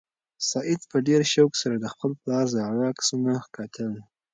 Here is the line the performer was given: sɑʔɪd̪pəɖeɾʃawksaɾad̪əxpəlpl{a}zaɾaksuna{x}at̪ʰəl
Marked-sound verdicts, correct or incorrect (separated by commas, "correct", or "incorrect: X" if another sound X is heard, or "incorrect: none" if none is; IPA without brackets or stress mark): incorrect: ɑ, incorrect: k